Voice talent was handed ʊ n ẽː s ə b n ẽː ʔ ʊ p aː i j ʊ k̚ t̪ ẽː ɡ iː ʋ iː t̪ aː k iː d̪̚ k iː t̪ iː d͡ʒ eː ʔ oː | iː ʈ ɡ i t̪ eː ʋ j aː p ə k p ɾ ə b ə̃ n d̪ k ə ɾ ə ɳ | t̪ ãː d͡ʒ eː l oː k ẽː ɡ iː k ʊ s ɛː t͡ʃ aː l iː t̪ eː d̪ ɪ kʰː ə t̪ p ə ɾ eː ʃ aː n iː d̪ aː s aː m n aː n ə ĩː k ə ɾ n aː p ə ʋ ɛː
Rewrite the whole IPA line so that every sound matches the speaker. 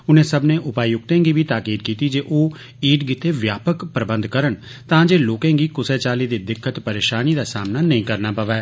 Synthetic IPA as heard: ʊ n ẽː s ə b n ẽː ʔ ʊ p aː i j ʊ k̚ t̪ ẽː ɡ iː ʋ iː t̪ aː k iː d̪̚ k iː t̪ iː d͡ʒ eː ʔ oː | iː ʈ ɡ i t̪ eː ʋ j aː p ə k p ɾ ə b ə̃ n d̪ k ə ɾ ə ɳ | t̪ ãː d͡ʒ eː l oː k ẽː ɡ iː k ʊ s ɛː t͡ʃ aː l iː d̪ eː d̪ ɪ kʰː ə t̪ p ə ɾ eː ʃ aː n iː d̪ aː s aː m n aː n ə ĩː k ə ɾ n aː p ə ʋ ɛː